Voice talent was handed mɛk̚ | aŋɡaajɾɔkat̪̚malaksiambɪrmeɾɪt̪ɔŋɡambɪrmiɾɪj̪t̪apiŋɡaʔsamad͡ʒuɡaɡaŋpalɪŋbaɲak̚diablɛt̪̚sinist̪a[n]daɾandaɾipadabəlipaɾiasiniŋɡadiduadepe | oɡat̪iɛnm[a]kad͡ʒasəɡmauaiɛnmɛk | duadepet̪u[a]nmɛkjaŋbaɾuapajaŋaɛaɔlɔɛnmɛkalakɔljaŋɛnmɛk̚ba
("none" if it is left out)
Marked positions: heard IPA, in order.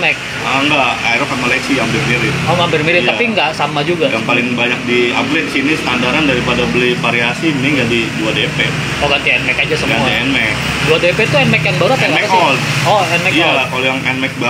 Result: n, ɛ, ɛ

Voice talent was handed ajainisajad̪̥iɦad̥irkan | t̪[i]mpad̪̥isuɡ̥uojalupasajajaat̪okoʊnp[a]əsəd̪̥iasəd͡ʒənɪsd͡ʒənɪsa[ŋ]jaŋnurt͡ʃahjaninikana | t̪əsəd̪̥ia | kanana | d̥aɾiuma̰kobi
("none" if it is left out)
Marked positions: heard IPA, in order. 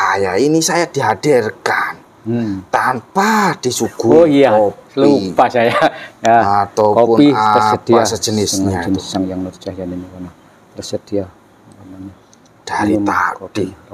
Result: a, i, ŋ

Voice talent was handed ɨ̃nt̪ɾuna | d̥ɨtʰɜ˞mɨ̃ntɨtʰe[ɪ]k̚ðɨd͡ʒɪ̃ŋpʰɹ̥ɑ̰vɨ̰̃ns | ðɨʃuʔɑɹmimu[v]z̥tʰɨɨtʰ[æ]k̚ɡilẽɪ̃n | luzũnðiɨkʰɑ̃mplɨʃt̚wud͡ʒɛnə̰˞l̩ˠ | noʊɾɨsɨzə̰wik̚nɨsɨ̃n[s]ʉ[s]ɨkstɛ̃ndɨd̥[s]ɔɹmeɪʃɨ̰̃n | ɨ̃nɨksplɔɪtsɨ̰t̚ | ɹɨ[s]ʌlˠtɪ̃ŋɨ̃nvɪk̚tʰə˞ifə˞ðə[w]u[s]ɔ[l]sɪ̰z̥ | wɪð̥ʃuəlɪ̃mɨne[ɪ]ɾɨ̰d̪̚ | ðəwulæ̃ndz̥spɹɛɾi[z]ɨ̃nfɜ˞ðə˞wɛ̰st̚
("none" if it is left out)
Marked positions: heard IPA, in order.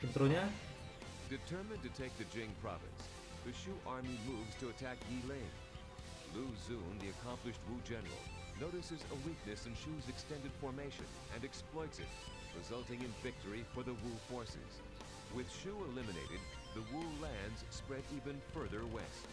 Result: ɪ, v, æ, ʃ, z, f, z, w, f, ɹ, ɪ, v

